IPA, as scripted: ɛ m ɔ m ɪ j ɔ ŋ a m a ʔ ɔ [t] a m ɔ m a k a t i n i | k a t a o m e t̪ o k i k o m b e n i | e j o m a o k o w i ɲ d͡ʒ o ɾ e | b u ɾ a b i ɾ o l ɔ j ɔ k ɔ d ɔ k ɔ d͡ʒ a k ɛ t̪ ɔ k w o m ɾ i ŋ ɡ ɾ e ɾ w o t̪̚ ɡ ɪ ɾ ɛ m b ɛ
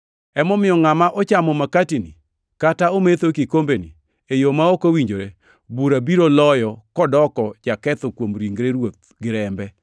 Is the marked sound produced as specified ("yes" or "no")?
no